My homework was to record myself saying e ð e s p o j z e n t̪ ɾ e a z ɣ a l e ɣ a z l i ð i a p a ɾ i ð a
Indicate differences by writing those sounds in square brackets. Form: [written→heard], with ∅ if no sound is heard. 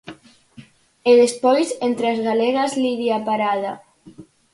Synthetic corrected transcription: e ð e s p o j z e n t̪ ɾ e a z ɣ a l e ɣ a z l i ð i a p a ɾ [i→a] ð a